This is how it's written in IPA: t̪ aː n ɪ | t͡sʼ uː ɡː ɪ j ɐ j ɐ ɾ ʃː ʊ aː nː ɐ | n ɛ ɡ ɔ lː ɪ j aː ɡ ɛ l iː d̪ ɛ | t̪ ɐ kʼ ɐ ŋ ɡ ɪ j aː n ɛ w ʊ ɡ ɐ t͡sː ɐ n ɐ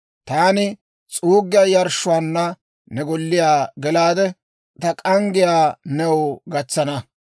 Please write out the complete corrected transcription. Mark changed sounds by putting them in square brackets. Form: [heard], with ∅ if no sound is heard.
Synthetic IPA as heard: t̪ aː n ɪ | t͡sʼ uː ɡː ɪ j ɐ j ɐ ɾ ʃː ʊ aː nː ɐ | n ɛ ɡ ɔ lː ɪ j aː ɡ ɛ l [aː] d̪ ɛ | t̪ ɐ kʼ ɐ ŋ ɡ ɪ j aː n ɛ w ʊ ɡ ɐ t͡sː ɐ n ɐ